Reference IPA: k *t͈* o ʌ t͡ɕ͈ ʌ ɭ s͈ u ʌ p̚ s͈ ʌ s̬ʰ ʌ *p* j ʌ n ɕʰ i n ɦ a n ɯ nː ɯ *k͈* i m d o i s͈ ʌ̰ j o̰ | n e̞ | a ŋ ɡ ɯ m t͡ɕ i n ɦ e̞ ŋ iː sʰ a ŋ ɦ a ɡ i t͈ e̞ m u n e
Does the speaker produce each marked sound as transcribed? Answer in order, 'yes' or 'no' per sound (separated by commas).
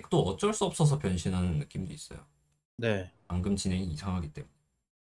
yes, yes, yes